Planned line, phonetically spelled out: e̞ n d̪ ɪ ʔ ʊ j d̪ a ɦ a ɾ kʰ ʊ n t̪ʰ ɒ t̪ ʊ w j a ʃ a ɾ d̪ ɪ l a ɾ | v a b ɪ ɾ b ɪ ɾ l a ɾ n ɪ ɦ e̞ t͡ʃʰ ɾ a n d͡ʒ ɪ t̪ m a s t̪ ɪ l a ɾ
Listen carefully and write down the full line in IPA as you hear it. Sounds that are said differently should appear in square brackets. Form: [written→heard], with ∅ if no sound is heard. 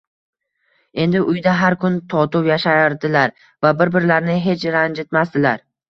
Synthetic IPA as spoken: e̞ n d̪ ɪ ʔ ʊ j d̪ a ɦ a ɾ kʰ ʊ n t̪ʰ ɒ t̪ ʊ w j a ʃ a ɾ d̪ ɪ l a ɾ | v a b ɪ ɾ b ɪ ɾ l a ɾ n ɪ ɦ e̞ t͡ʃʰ ɾ a n d͡ʒ ɪ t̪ m a s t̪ ɪ l a ɾ